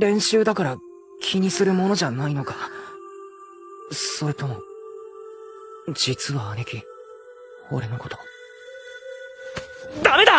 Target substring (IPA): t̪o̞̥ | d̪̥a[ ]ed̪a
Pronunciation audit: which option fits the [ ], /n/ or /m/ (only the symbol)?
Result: m